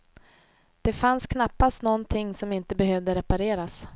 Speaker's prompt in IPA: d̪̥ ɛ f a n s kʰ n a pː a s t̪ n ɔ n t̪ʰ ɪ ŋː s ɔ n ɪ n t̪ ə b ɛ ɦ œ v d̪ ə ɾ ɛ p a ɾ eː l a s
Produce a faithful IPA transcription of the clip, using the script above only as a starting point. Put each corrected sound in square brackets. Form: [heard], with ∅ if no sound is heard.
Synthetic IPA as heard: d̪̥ ɛ f a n s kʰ n a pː a s t̪ n ɔ n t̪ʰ ɪ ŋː s ɔ [m] ɪ n t̪ ə b ɛ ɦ œ v d̪ ə ɾ ɛ p a ɾ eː [ɾ] a s